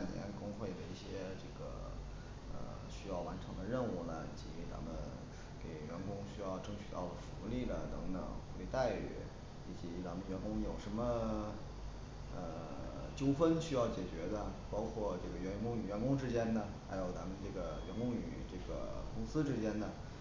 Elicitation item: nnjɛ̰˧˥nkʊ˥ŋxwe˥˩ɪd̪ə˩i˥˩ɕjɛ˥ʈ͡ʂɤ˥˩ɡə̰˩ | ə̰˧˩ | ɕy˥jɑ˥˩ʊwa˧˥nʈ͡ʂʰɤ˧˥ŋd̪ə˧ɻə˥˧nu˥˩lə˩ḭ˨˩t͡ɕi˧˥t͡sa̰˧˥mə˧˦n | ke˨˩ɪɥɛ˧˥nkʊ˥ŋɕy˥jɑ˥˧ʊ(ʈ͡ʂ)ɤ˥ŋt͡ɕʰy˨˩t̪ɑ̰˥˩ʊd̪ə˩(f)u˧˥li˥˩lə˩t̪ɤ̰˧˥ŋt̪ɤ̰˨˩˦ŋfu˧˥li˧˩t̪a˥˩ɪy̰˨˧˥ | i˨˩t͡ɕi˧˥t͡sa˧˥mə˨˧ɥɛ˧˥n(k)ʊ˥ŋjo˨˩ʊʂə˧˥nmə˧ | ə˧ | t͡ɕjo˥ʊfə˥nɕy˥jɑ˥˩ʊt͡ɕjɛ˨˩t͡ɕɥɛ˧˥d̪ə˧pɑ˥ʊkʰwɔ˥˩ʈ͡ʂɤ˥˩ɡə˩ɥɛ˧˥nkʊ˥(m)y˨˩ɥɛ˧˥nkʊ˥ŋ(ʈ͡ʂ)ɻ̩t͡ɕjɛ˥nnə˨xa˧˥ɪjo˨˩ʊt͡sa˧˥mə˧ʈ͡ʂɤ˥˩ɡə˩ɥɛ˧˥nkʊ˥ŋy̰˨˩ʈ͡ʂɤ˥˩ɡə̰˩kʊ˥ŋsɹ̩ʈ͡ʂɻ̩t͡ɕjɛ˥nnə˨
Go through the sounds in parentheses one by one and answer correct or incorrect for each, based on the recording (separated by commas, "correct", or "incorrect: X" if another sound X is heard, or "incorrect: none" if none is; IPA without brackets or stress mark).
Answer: correct, correct, correct, incorrect: ŋ, correct